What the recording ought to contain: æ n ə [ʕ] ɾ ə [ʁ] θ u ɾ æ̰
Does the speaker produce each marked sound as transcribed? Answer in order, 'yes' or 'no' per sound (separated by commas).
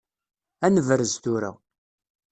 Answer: no, no